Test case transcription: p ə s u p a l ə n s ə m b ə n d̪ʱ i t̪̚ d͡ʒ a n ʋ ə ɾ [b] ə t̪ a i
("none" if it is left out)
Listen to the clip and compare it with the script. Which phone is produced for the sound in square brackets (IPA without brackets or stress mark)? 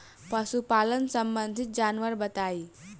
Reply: b